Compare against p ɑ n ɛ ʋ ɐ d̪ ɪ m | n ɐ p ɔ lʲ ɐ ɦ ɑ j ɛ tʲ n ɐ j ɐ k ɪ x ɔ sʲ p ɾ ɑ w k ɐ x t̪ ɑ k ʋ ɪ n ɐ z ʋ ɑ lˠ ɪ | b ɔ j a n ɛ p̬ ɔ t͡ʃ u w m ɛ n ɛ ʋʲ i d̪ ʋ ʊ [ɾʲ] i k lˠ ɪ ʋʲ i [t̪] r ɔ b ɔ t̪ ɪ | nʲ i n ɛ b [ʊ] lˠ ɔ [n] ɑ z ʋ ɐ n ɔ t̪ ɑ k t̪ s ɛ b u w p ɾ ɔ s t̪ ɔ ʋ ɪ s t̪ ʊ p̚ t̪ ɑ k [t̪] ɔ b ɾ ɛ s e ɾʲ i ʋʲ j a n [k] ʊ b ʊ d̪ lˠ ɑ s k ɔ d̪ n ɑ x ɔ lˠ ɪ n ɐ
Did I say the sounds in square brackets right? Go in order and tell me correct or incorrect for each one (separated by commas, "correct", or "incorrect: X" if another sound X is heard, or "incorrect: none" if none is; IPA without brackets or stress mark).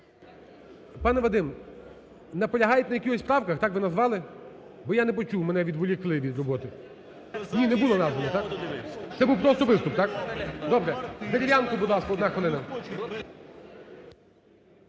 incorrect: lʲ, incorrect: d̪, incorrect: u, correct, incorrect: d̪, correct